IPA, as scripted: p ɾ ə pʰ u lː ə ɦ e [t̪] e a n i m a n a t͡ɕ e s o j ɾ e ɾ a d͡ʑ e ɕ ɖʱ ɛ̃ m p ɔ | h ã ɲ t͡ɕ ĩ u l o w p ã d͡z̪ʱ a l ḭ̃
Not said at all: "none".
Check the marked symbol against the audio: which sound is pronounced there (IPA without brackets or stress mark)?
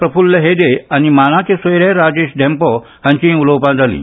d̪